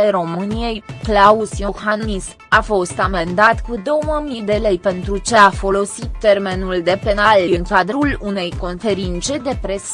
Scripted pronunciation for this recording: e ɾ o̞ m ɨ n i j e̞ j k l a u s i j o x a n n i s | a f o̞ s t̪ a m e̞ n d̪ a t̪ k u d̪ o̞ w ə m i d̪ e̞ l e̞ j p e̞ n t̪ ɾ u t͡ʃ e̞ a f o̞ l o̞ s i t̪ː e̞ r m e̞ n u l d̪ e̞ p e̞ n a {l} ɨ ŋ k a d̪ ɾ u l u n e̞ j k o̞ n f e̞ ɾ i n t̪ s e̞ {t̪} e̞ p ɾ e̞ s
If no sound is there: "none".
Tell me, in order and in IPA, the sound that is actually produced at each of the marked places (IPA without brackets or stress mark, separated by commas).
l, d̪